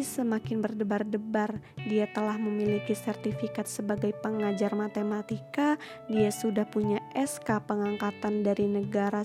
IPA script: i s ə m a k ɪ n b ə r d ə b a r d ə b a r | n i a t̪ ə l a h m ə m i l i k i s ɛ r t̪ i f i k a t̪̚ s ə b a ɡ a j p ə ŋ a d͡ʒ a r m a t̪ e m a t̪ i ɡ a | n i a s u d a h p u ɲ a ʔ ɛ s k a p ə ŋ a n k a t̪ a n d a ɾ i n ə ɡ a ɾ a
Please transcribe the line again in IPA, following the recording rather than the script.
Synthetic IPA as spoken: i s ə m a k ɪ n b ə r d ə b a r d ə b a r | d i a t̪ ə l a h m ə m i l i k i s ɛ r t̪ i f i k a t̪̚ s ə b a ɡ a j p ə ŋ a d͡ʒ a r m a t̪ e m a t̪ i k a | d i a s u d a h p u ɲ a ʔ ɛ s k a p ə ŋ a ŋ k a t̪ a n d a ɾ i n ə ɡ a ɾ a